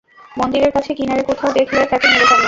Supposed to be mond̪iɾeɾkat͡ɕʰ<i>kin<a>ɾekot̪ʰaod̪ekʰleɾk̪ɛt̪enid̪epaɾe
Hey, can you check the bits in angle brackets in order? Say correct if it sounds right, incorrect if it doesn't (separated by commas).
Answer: incorrect, correct